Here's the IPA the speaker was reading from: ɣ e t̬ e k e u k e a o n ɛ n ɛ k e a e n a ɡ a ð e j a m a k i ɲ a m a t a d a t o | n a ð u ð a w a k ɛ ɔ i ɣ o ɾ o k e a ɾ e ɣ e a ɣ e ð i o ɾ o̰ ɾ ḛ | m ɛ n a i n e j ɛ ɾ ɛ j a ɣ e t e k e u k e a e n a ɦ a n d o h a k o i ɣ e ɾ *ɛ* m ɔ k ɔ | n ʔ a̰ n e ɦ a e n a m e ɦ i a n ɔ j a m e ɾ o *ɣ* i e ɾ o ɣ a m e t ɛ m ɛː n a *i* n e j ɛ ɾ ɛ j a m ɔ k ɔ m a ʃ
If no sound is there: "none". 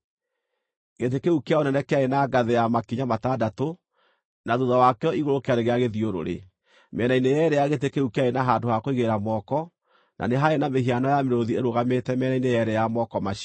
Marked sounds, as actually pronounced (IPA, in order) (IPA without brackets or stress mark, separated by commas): a, ð, i